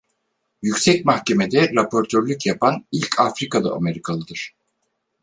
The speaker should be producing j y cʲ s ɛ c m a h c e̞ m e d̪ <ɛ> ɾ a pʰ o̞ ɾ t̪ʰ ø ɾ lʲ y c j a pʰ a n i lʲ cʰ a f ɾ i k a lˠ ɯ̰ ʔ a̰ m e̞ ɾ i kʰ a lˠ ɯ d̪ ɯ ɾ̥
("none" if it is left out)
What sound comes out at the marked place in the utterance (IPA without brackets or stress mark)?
ɛ